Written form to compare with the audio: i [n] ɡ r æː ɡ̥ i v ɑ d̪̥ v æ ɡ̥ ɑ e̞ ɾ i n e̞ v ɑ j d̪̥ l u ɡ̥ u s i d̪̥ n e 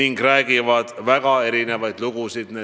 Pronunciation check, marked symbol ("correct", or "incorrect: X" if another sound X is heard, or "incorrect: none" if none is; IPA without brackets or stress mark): incorrect: ŋ